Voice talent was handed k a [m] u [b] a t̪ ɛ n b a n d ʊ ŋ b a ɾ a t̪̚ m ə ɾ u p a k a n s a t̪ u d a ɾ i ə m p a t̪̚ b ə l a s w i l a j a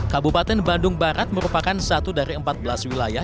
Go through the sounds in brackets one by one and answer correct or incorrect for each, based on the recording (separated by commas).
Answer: incorrect, incorrect